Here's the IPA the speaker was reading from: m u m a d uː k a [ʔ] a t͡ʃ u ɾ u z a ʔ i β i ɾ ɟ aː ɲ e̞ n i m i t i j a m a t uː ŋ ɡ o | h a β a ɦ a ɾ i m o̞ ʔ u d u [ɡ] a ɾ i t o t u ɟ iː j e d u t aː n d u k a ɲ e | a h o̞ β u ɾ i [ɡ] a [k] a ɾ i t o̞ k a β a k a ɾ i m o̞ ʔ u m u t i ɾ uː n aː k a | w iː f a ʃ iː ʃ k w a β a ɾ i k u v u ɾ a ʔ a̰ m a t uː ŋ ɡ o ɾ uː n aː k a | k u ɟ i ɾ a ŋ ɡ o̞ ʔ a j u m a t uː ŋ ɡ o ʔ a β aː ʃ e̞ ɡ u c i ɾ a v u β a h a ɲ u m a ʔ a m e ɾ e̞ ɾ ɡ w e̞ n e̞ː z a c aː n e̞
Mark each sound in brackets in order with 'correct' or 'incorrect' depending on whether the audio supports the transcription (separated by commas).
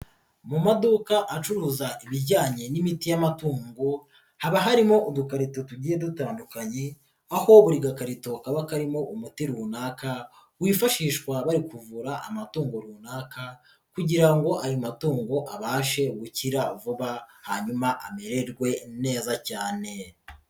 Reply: correct, incorrect, correct, correct